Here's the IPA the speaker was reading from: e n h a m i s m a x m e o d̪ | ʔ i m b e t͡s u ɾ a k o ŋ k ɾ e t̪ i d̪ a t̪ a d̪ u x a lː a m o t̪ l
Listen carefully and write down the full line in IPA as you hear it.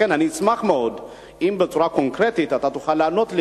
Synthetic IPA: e n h a n i s m a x m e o d̪ | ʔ i m b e t͡s u ɾ a k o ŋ k ɾ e t̪ i t̪ a t̪ a t̪ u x a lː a n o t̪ l